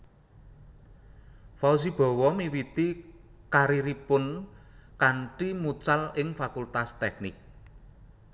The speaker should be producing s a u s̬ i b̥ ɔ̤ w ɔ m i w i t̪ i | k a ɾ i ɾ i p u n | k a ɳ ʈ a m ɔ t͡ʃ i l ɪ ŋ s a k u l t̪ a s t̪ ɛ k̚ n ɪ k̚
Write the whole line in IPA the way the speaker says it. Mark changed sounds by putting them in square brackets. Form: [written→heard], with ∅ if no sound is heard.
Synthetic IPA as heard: [s→f] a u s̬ i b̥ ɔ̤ w ɔ m i w i t̪ i | k a ɾ i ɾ i p [u→ʊ] n | k a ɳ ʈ [a→i] m [ɔ→u] t͡ʃ [i→a] l ɪ ŋ [s→f] a k u l t̪ a s t̪ ɛ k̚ n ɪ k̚